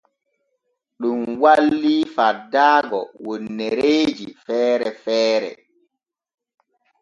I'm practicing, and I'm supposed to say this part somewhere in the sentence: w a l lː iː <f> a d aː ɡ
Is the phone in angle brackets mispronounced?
no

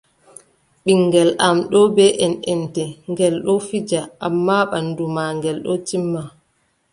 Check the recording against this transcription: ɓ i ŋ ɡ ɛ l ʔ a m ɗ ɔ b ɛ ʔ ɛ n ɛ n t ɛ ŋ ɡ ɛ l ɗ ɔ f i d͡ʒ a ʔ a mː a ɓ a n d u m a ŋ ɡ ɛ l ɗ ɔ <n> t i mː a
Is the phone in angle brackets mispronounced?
yes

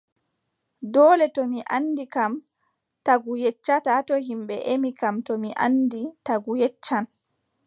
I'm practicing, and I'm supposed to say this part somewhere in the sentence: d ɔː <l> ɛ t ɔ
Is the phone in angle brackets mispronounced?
no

